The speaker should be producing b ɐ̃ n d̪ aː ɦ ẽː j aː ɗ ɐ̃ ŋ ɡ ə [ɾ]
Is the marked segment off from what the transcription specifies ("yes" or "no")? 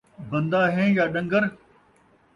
no